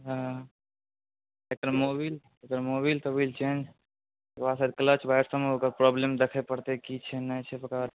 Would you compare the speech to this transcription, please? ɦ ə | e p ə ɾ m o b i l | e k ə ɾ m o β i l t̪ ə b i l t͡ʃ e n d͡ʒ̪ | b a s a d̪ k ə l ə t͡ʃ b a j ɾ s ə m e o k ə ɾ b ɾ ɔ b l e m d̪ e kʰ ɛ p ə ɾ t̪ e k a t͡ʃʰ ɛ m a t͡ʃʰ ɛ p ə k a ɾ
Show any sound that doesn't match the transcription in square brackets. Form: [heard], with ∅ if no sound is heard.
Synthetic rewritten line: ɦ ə | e [k] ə ɾ m o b i l | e k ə ɾ m o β i l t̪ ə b i l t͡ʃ e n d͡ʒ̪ | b a s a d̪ k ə l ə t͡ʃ b a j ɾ s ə m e o k ə ɾ [p] ɾ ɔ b l e m d̪ e kʰ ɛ p ə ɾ t̪ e k [i] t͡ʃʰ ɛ [n] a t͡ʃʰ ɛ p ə k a ɾ

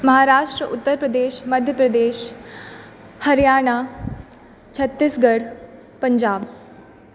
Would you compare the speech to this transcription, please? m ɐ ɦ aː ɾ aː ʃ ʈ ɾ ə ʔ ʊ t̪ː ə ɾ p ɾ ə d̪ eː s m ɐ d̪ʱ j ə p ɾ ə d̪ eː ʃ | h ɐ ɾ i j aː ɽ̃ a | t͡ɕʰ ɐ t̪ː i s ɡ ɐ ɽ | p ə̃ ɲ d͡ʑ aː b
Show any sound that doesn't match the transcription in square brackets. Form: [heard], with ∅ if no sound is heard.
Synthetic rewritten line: m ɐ ɦ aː ɾ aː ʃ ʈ ɾ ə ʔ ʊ t̪ː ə ɾ p ɾ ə d̪ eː [ʃ] m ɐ d̪ʱ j ə p ɾ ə d̪ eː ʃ | h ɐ ɾ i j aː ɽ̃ a | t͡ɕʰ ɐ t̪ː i s ɡ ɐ ɽ | p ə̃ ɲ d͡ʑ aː b

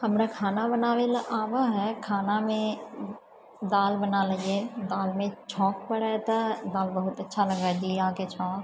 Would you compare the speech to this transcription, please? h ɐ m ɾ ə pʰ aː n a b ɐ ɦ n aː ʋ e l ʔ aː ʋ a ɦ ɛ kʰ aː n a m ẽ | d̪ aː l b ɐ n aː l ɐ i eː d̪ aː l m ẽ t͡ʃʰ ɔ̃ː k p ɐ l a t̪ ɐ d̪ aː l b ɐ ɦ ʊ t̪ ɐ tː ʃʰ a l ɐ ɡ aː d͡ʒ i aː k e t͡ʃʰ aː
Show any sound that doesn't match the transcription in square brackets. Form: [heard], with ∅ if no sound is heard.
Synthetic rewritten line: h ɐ m ɾ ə [kʰ] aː n a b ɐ [∅] n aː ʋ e l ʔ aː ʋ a ɦ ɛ kʰ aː n a m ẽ | d̪ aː l b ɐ n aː l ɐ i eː d̪ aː l m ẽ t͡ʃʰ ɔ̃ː k p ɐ [ɽ] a t̪ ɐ d̪ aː l b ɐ ɦ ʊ t̪ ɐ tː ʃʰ a l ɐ ɡ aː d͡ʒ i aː k e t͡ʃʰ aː

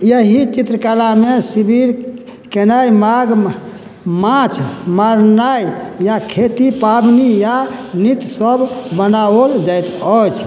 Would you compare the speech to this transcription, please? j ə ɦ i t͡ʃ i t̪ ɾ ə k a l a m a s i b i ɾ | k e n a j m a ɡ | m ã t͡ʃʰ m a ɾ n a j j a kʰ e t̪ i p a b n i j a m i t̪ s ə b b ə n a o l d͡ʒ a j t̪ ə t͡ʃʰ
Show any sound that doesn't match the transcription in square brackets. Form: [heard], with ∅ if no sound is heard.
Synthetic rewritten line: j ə ɦ i t͡ʃ i t̪ ɾ ə k a l a m [e] s i b i ɾ | k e n a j m a ɡ | m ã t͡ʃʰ m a ɾ n a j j a kʰ e t̪ i p a b n i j a [n] i t̪ s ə b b ə n a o l d͡ʒ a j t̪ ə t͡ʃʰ

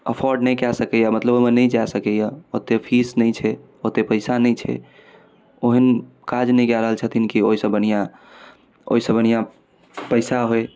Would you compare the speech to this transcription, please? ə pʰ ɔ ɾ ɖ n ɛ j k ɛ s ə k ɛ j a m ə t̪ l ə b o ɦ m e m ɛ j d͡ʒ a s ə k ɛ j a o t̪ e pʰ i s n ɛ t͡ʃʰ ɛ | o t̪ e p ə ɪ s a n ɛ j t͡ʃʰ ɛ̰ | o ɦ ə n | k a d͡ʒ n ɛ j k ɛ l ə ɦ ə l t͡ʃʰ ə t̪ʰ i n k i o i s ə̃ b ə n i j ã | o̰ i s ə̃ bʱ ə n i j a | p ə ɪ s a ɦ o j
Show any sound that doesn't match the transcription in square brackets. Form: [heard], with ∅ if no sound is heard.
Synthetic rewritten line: ə pʰ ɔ ɾ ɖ n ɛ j k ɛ s ə k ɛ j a m ə t̪ l ə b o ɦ m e [n] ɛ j d͡ʒ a s ə k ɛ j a o t̪ e pʰ i s n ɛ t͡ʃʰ ɛ | o t̪ e p ə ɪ s a n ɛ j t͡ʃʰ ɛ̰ | o ɦ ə n | k a d͡ʒ n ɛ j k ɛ [ɾ] ə ɦ ə l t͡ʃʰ ə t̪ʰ i n k i o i s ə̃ b ə n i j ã | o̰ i s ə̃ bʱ ə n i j a | p ə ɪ s a ɦ o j

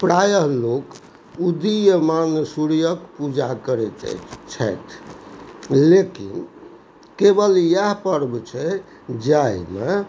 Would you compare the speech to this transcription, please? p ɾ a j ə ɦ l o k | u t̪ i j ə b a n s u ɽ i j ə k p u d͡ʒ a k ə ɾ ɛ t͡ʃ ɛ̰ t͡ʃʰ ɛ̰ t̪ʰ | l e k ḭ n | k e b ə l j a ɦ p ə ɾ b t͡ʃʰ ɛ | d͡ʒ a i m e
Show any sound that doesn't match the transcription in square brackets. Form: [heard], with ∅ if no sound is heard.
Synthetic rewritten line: p ɾ a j ə ɦ l o k | u [d̪] i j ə [m] a n s u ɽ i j ə k p u d͡ʒ a k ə ɾ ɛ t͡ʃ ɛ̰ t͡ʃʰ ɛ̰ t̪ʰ | l e k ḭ n | k e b ə l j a ɦ p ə ɾ b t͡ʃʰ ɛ | d͡ʒ a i m e

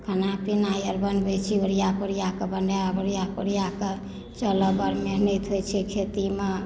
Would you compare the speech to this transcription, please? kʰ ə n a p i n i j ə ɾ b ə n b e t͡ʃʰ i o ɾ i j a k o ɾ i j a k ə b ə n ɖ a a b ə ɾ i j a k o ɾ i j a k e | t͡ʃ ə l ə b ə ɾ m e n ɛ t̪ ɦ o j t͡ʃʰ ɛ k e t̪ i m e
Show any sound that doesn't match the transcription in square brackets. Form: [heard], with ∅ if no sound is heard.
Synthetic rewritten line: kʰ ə n a p i n [a] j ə ɾ b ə n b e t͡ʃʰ i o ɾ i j a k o ɾ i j a k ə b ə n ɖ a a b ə ɾ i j a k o ɾ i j a k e | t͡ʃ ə l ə b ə ɾ m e n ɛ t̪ ɦ o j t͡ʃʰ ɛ [kʰ] e t̪ i m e

